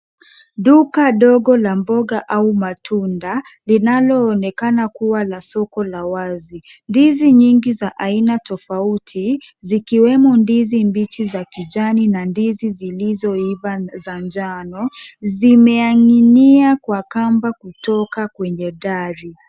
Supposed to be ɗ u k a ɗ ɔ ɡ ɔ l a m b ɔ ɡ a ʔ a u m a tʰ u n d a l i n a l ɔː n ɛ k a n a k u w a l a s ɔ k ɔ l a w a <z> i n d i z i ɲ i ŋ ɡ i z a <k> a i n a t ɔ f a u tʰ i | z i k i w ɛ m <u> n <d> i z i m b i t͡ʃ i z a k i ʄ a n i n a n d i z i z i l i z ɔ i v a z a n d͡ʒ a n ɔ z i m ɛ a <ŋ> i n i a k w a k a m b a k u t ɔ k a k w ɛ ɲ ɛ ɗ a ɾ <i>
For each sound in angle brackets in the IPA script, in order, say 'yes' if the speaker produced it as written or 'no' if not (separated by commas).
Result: yes, no, no, yes, yes, yes